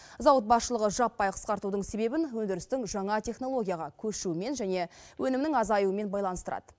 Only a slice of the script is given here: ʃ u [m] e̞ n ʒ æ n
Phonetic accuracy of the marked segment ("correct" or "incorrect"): correct